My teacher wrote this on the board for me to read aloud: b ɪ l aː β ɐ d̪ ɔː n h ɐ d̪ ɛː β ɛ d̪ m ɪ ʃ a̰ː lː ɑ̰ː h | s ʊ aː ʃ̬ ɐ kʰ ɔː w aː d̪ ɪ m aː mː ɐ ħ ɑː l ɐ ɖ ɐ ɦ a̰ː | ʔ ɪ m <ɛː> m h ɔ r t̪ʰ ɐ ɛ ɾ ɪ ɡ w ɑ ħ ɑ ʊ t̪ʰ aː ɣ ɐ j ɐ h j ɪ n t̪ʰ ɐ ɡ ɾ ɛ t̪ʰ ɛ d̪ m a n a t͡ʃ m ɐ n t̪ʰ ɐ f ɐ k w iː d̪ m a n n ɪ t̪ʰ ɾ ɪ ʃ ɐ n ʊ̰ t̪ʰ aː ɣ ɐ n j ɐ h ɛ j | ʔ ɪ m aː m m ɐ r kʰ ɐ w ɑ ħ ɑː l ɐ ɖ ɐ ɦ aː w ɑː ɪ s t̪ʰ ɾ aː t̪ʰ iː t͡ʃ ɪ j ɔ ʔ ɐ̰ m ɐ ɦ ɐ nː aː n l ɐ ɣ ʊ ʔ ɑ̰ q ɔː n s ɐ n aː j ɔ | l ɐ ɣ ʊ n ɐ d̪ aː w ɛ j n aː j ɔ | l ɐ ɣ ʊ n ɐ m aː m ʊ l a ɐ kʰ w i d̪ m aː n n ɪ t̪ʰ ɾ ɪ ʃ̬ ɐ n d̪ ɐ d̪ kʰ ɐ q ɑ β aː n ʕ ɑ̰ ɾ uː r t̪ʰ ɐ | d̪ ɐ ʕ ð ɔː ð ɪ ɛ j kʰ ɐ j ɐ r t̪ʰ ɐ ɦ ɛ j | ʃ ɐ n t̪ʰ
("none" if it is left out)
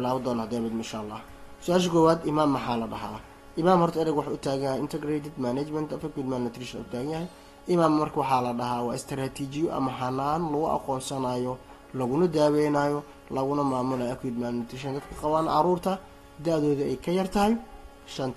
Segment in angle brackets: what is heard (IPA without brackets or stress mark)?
aː